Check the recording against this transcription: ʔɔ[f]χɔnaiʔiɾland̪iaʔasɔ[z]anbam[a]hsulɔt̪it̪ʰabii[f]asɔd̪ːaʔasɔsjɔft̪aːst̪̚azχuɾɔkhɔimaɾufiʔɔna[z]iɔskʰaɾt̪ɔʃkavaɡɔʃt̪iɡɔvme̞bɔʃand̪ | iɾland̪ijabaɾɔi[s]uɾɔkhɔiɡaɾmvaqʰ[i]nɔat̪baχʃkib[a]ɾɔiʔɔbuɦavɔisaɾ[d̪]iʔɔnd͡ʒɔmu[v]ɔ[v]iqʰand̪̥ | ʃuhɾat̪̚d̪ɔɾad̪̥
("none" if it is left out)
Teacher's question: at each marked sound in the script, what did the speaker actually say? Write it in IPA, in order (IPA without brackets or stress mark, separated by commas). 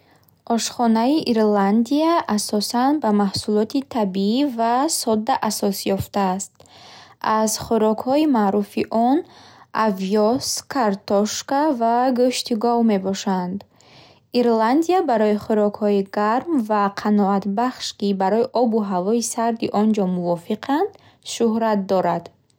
ʃ, s, a, v, v, χ, a, a, d̪, v, f